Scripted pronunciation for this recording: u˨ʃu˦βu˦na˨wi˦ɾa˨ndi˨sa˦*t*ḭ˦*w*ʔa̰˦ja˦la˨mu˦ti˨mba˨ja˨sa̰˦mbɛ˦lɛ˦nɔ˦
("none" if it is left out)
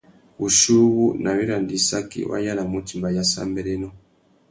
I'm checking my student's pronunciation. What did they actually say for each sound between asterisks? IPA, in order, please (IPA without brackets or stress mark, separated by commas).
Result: k, w